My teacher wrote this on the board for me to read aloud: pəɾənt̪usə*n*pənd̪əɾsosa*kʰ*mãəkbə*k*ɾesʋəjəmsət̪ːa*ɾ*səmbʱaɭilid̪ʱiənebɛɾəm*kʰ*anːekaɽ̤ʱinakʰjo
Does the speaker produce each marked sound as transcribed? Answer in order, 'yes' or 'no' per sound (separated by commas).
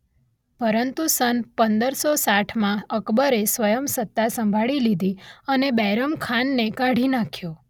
yes, no, no, no, yes